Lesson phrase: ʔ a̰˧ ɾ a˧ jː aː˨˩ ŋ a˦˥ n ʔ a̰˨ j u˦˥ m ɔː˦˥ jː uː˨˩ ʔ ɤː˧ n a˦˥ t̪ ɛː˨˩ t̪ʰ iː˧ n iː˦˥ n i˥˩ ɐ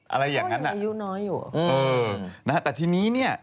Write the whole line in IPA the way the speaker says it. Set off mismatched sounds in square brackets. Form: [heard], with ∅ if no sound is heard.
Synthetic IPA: ʔ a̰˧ ɾ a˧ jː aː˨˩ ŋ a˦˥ n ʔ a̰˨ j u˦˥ [n] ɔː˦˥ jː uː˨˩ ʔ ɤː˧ n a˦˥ t̪ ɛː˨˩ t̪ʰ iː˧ n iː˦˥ n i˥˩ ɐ